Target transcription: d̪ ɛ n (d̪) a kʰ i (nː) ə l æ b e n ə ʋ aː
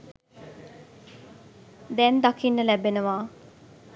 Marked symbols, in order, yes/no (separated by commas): yes, yes